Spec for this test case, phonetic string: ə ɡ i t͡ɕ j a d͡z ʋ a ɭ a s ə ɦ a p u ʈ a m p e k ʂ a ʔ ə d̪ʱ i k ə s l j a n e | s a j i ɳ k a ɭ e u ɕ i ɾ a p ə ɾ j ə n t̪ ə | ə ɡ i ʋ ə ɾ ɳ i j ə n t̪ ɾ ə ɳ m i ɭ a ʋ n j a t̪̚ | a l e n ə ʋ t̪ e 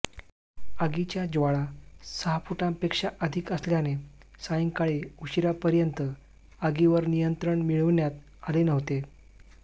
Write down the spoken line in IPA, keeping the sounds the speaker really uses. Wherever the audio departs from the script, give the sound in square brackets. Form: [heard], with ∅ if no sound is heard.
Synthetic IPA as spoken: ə ɡ i t͡ɕ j a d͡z ʋ a ɭ a s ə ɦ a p u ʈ a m p e k ʂ a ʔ ə d̪ʱ i k ə s l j a n e | s a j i [ŋ] k a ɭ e u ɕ i ɾ a p ə ɾ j ə n t̪ ə | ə ɡ i ʋ ə ɾ [n] i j ə n t̪ ɾ ə ɳ m i ɭ [ə] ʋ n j a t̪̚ | a l e n ə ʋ t̪ e